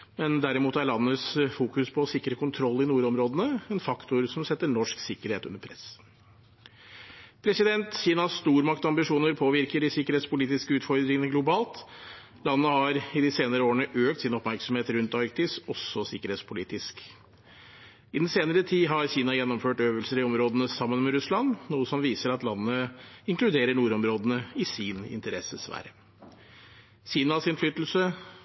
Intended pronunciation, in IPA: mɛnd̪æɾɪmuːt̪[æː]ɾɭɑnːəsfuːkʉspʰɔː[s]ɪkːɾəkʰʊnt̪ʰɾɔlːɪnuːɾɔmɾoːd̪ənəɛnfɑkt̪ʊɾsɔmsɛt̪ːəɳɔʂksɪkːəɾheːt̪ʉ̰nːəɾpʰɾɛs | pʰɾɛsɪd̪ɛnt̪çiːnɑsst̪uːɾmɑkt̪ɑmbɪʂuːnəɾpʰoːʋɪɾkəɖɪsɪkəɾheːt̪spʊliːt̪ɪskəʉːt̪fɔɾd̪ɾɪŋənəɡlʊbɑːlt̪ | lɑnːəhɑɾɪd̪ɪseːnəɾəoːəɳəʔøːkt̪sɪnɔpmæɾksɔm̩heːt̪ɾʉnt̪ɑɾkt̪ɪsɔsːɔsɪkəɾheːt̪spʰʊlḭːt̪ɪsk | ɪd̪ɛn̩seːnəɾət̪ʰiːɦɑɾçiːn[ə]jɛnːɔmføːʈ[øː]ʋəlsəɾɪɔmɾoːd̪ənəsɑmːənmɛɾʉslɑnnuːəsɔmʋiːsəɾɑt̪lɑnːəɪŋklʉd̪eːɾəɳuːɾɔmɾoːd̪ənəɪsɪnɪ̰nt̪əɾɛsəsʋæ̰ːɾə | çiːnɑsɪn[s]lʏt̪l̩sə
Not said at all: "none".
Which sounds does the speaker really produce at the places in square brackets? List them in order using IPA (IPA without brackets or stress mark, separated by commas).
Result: æ, s, ɑ, øː, f